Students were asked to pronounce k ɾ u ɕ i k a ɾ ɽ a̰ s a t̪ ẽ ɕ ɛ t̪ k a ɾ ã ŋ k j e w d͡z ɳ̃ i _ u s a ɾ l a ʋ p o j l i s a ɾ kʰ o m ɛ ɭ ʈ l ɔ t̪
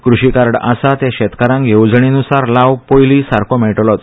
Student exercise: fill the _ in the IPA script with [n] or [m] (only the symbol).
n